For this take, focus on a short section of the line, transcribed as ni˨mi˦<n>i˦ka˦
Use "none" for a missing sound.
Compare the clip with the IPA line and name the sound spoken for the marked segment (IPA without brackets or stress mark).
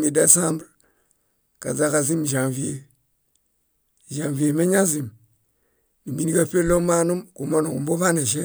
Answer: n